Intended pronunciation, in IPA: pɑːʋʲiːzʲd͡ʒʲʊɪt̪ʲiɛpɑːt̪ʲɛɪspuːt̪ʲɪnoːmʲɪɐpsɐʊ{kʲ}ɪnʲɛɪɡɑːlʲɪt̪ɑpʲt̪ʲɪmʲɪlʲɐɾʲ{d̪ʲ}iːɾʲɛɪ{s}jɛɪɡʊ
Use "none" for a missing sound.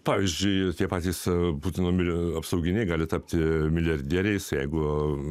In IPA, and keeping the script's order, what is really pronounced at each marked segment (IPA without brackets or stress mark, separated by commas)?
ɡʲ, d̪ʲ, s